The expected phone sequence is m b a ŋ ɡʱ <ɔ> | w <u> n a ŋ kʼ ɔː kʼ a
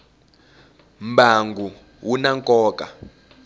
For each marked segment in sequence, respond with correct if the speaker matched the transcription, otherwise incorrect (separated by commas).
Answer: incorrect, correct